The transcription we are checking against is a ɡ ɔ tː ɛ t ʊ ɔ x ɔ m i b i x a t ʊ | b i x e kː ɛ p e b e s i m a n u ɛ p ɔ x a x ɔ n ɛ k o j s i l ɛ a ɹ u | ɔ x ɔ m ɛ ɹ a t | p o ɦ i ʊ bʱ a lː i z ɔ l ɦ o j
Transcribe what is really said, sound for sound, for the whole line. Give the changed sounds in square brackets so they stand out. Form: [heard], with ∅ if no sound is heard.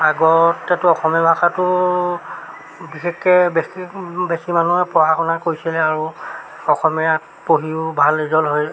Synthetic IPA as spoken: a ɡ ɔ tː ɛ t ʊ ɔ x ɔ m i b [a] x a t ʊ | b i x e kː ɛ [b] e b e s i m a n u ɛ p ɔ [∅] a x ɔ n [a] k o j s i l ɛ a ɹ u | ɔ x ɔ m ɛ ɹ a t | p o ɦ i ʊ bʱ a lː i z ɔ l ɦ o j